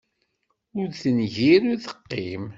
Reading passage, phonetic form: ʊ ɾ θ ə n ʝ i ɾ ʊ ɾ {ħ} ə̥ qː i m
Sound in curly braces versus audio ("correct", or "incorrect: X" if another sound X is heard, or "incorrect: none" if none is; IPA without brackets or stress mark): incorrect: θ